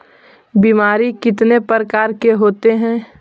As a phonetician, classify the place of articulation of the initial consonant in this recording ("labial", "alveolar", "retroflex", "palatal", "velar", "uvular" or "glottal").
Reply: labial